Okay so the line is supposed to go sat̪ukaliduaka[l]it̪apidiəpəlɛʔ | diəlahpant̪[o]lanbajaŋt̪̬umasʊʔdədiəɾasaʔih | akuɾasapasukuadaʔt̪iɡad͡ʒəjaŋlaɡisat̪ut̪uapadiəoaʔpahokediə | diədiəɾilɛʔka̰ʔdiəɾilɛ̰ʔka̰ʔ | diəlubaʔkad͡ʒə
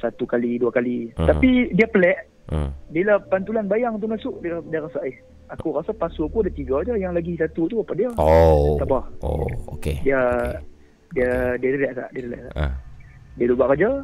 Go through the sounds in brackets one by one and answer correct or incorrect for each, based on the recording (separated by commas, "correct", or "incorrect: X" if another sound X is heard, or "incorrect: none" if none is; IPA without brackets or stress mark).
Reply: correct, incorrect: u